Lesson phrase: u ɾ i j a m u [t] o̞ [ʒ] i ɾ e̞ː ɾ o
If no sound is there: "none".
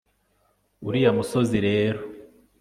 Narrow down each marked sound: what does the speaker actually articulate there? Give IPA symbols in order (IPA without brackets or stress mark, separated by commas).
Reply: s, z